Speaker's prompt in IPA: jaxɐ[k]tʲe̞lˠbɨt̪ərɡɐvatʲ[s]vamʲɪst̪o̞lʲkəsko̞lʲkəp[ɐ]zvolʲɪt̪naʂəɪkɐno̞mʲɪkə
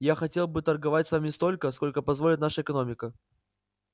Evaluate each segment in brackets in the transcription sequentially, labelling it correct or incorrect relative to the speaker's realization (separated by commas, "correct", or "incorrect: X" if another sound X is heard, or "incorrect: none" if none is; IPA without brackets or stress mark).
incorrect: none, correct, correct